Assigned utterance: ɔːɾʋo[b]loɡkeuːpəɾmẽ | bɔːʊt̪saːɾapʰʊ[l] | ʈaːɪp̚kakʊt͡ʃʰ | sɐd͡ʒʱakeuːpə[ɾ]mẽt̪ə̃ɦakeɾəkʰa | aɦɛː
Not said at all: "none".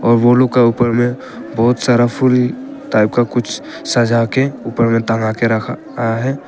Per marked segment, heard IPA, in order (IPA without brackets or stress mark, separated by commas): none, l, ɾ